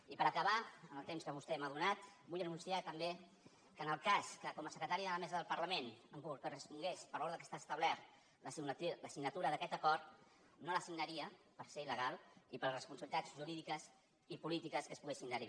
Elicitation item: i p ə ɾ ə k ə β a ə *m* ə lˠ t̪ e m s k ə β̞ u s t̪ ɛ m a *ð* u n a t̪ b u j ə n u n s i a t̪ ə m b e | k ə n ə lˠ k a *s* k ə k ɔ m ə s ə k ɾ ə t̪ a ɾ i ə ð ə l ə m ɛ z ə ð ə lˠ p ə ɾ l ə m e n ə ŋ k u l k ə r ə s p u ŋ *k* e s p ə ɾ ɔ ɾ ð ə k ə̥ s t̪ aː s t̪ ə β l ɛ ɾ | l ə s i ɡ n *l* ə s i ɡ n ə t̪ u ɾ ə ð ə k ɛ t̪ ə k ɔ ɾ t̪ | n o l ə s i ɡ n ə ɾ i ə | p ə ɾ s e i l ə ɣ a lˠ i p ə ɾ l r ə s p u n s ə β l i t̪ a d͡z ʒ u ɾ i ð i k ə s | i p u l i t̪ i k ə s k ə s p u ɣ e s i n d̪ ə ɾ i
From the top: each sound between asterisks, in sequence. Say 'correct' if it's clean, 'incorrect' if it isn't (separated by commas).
incorrect, correct, correct, incorrect, correct